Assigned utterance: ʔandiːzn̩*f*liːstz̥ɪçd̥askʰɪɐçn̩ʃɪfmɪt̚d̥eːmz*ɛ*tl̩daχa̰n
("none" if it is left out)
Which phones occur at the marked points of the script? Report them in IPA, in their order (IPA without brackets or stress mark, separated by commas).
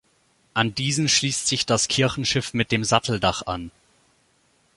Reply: ʃ, a